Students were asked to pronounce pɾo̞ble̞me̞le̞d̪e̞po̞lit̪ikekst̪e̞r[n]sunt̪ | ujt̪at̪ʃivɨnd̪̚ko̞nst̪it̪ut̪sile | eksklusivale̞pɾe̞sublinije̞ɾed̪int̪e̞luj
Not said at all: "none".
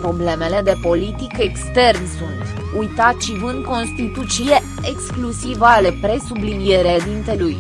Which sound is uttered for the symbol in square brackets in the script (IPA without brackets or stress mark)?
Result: n